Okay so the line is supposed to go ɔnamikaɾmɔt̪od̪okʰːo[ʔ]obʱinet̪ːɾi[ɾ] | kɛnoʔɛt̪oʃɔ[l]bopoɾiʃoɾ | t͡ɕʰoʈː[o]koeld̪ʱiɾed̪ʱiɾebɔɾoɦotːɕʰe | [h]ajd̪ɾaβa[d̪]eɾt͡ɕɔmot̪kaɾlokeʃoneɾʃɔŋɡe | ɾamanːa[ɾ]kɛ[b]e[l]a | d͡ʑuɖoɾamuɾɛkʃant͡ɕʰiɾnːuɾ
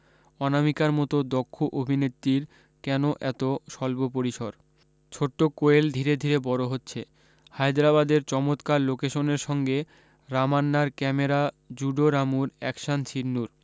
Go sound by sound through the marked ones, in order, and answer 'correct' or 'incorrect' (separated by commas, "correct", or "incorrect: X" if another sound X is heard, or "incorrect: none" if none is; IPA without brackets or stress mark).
correct, correct, correct, correct, correct, correct, correct, incorrect: m, incorrect: ɾ